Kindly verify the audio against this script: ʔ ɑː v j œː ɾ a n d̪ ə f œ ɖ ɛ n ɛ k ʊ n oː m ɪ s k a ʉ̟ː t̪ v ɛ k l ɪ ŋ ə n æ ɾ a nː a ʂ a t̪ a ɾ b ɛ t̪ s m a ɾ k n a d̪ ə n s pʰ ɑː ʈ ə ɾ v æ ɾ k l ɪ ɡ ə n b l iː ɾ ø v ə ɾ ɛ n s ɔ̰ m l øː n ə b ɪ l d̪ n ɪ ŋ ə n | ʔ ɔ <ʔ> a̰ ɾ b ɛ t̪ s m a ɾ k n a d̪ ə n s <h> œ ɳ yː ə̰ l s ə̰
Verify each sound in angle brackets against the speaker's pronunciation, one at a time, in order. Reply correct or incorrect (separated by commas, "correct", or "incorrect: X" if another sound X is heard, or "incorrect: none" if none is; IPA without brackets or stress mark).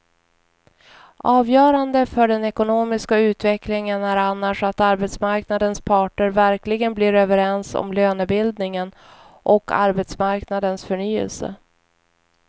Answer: incorrect: k, incorrect: f